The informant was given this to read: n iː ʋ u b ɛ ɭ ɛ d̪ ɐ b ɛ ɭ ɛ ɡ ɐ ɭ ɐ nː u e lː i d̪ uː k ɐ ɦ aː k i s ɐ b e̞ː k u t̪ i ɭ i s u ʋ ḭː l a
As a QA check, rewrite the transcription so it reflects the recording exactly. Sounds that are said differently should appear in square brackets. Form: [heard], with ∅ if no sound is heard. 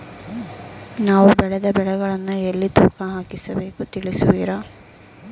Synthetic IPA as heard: n [aː] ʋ u b ɛ ɭ ɛ d̪ ɐ b ɛ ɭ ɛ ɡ ɐ ɭ ɐ nː u e lː i [t̪] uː k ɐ ɦ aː k i s ɐ b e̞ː k u t̪ i ɭ i s u ʋ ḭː [ɾ] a

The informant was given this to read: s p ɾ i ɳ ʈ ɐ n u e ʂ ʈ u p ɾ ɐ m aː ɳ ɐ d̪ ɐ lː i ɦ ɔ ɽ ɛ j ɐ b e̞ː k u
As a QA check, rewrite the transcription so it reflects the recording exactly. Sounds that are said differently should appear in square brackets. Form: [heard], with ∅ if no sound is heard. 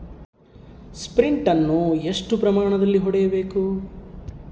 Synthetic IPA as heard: s p ɾ i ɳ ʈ ɐ [nː] u e ʂ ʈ u p ɾ ɐ m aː ɳ ɐ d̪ ɐ lː i ɦ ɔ ɽ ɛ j ɐ b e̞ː k u

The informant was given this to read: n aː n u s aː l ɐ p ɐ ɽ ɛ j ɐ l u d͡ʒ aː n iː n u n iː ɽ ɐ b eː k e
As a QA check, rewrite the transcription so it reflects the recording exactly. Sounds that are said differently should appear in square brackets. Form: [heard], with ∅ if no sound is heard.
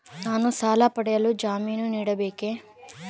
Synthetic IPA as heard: n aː n u s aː l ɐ p ɐ ɽ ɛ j ɐ l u d͡ʒ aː [m] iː n u n iː ɽ ɐ b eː k e

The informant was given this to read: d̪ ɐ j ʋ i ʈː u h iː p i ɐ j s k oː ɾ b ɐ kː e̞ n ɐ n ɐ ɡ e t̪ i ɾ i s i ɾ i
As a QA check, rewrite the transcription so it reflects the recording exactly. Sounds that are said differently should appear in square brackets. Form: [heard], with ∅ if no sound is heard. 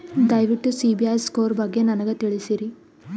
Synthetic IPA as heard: d̪ ɐ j ʋ i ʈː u [s] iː [b] i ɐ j s k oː ɾ b ɐ [ɡː] e̞ n ɐ n ɐ ɡ e t̪ i [ɭ] i s i ɾ i

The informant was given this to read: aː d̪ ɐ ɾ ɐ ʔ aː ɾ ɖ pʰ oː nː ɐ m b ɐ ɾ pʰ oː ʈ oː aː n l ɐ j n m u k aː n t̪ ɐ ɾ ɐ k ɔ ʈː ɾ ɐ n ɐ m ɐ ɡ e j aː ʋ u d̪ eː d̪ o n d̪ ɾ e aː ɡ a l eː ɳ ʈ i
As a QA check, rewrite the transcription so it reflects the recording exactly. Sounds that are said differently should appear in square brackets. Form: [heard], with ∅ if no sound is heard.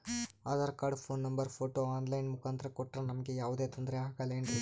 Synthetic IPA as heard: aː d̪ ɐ ɾ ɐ [k] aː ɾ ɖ pʰ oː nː ɐ m b ɐ ɾ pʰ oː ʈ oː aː n l ɐ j n m u k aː n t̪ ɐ ɾ ɐ k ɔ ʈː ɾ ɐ n ɐ m ɐ ɡ e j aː ʋ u d̪ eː [t̪] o n d̪ ɾ e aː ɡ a l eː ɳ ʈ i

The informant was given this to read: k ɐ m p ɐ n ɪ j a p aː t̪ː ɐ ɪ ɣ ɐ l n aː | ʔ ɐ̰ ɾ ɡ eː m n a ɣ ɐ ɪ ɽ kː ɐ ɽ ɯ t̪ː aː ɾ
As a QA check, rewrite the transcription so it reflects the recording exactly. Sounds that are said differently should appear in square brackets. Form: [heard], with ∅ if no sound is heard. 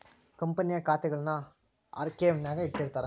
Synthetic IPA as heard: k ɐ m p ɐ n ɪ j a [k] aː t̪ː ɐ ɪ ɣ ɐ [ɭ] n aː | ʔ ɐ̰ ɾ [k] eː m n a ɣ ɐ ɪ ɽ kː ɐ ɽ ɯ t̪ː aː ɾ

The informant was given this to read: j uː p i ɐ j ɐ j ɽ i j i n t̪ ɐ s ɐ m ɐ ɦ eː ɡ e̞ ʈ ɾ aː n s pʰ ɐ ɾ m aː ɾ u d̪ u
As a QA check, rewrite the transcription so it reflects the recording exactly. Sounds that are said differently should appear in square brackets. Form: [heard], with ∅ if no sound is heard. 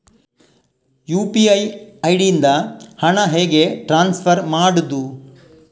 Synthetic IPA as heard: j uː p i ɐ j ɐ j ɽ i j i n [d̪] ɐ [h] ɐ [ɳ] ɐ ɦ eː ɡ e̞ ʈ ɾ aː n s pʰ ɐ ɾ m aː [ɽ] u d̪ u

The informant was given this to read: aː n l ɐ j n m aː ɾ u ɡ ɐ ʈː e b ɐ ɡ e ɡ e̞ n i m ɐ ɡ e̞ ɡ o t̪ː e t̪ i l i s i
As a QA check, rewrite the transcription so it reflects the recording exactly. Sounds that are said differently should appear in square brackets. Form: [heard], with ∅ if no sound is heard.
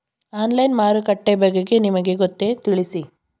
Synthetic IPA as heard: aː n l ɐ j n m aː ɾ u [k] ɐ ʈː e b ɐ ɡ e ɡ e̞ n i m ɐ ɡ e̞ ɡ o t̪ː e t̪ i [ɭ] i s i

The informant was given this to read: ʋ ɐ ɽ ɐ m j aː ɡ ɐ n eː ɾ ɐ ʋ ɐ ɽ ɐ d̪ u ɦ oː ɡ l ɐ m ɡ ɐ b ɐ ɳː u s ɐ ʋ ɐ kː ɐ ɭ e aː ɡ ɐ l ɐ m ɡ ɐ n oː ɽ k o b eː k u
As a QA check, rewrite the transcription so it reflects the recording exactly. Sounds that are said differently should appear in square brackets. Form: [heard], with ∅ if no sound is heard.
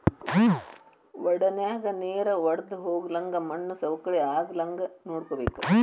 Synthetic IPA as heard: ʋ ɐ ɽ ɐ [n] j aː ɡ ɐ n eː ɾ ɐ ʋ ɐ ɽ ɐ d̪ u ɦ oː ɡ l ɐ [ŋ] ɡ ɐ [m] ɐ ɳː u s ɐ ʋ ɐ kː ɐ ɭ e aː ɡ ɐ l ɐ [ŋ] ɡ ɐ n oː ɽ k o b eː k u

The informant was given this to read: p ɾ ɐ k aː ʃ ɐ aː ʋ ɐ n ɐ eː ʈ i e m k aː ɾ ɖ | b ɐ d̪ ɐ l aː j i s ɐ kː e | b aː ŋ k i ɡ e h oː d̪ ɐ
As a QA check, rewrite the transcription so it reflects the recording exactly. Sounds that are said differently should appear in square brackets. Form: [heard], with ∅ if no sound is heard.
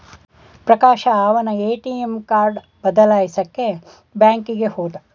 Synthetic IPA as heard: p ɾ ɐ k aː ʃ ɐ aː ʋ ɐ n ɐ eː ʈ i e m k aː ɾ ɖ | b ɐ d̪ ɐ l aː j i s ɐ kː e | b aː ŋ k i ɡ e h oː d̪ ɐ

